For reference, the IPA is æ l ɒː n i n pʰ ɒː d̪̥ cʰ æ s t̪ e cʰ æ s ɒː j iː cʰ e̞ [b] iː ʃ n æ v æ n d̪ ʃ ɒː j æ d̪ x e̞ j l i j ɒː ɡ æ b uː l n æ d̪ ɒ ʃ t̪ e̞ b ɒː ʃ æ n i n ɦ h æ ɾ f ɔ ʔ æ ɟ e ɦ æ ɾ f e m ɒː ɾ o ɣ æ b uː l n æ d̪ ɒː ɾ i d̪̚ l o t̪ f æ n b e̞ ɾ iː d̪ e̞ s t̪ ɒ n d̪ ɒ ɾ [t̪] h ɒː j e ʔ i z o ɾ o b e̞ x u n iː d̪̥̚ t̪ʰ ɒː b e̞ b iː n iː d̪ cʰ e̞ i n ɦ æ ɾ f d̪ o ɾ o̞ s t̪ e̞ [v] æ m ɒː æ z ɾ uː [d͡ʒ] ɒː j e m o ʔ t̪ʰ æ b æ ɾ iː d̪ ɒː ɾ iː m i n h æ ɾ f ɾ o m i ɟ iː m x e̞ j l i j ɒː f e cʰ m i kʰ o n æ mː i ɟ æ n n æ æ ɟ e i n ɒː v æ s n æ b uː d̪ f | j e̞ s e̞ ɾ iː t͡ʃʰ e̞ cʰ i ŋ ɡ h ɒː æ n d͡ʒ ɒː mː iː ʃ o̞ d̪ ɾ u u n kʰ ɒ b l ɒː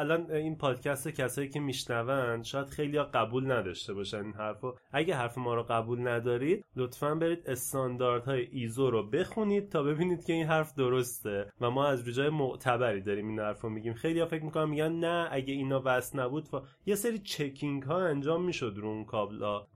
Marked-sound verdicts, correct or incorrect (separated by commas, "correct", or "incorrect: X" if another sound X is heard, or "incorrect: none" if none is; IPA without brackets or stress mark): incorrect: m, incorrect: d̪, correct, correct